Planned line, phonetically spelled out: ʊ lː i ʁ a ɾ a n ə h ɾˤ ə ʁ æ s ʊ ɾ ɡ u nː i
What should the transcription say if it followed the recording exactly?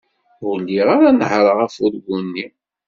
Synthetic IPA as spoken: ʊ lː i ʁ a ɾ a n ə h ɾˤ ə ʁ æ f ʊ ɾ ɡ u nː i